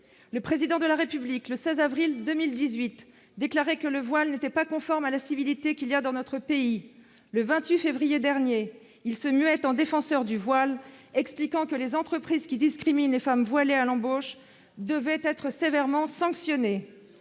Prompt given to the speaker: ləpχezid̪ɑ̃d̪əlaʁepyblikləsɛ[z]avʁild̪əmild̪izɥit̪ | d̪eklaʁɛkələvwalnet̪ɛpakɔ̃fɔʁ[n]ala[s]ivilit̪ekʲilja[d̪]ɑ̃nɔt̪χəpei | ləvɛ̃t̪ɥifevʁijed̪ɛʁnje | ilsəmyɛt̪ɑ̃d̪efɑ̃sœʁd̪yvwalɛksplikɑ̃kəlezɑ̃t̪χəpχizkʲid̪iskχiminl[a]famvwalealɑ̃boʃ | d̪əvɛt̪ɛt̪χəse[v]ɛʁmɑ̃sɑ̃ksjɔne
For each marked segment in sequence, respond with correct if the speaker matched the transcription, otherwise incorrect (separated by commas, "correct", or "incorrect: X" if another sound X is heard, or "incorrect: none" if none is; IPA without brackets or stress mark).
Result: correct, incorrect: m, correct, correct, incorrect: e, correct